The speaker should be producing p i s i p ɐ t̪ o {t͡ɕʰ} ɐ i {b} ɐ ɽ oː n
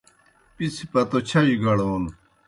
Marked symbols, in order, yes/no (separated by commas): yes, no